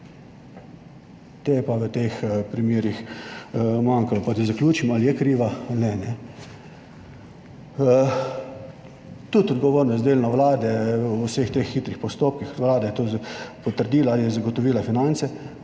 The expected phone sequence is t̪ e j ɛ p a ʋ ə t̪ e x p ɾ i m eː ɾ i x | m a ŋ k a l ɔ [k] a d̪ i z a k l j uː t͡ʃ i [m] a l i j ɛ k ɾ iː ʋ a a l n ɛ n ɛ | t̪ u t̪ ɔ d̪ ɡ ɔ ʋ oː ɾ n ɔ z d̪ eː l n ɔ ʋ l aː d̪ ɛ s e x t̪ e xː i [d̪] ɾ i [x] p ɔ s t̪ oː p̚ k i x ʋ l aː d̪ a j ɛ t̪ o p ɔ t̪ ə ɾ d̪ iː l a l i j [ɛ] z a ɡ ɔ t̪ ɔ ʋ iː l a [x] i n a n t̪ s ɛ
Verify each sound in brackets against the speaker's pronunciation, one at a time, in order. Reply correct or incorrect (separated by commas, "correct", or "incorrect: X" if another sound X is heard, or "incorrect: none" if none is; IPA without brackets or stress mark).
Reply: incorrect: p, correct, incorrect: t̪, correct, correct, incorrect: f